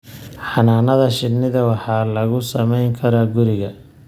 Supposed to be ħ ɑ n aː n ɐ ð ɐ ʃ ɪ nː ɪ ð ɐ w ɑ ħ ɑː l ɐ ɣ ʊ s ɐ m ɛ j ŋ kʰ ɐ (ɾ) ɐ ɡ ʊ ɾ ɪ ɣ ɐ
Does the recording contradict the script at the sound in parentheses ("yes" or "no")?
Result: no